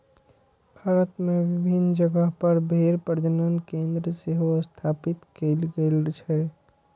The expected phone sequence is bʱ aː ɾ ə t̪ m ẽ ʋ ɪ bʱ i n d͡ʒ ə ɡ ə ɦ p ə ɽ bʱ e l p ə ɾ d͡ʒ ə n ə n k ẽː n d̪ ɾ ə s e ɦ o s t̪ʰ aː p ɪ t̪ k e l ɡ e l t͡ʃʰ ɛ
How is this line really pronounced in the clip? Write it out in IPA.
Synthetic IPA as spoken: bʱ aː ɾ ə t̪ m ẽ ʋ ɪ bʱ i n d͡ʒ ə ɡ ə ɦ p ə ɾ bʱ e ɾ p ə ɾ d͡ʒ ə n ə n k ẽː n d̪ ɾ ə s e ɦ o s t̪ʰ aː p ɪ t̪ k e l ɡ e l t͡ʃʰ ɛ